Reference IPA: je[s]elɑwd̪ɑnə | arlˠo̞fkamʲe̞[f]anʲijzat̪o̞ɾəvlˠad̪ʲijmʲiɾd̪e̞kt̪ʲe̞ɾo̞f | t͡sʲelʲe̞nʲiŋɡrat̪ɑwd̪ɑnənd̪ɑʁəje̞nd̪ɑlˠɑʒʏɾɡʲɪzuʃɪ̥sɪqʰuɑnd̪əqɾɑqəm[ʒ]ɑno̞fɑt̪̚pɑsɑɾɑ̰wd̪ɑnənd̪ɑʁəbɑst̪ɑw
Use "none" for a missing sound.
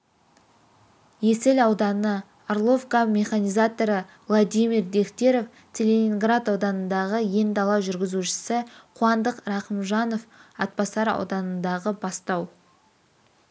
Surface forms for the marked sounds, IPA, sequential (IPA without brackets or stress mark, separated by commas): s, χ, ʒ